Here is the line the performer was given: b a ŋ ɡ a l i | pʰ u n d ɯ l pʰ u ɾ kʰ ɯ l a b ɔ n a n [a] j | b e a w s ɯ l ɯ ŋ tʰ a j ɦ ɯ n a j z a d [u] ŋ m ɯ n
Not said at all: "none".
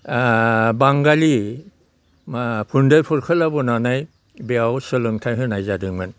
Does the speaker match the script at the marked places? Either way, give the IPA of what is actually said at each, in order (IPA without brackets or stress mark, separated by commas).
a, ɯ